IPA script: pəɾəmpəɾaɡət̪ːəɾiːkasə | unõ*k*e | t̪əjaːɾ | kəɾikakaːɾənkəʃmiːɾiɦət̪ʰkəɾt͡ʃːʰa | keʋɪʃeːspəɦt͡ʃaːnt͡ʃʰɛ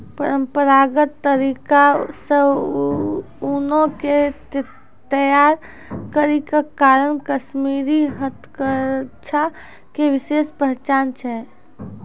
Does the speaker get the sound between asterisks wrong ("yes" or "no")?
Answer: no